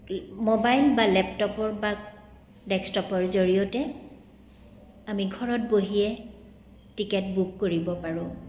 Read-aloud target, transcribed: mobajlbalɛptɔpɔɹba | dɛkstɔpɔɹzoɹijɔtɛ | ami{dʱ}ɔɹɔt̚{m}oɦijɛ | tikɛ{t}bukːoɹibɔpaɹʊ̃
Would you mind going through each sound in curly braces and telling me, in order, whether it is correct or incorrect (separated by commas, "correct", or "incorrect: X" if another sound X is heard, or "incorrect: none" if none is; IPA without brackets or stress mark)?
incorrect: ɡʱ, incorrect: b, correct